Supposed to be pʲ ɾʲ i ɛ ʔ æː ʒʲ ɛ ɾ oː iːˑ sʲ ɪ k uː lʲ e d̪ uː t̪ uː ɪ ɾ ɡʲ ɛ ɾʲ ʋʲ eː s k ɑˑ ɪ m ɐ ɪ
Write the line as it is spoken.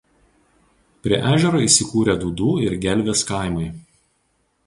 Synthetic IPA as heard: pʲ ɾʲ i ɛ ʔ æː ʒʲ ɛ ɾ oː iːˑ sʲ ɪ k uː ɾʲ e d̪ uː d̪ uː ɪ ɾ ɡʲ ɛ lʲ ʋʲ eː s k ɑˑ ɪ m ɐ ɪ